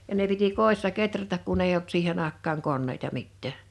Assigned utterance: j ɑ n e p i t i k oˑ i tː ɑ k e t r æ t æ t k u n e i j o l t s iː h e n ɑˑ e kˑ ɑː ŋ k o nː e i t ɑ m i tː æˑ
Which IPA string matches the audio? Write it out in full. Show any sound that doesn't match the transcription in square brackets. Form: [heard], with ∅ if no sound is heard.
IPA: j ɑ n e p i t i k oˑ i [sː] ɑ k e t r æ t æ [k] k u n e i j o l t s iː h e n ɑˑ e kˑ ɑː ŋ k o nː e i t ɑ m i tː æˑ